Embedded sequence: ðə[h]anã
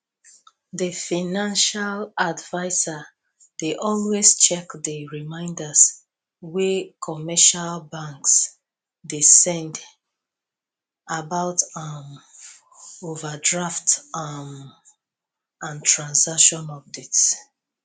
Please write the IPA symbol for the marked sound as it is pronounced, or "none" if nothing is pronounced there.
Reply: f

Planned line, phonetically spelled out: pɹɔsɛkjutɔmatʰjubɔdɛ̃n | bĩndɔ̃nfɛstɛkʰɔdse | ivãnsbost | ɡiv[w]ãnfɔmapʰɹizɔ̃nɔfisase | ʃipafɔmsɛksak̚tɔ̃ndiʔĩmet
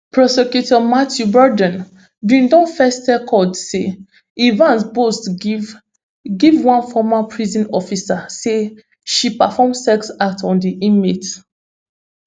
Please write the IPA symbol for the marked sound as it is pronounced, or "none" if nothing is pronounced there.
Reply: w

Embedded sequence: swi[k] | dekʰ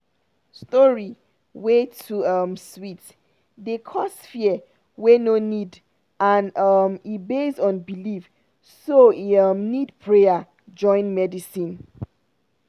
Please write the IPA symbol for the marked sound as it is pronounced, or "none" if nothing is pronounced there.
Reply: t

